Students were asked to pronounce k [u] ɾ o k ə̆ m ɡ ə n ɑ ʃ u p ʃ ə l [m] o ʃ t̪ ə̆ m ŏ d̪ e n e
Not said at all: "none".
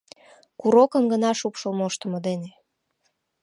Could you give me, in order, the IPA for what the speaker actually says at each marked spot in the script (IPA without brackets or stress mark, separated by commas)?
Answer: u, m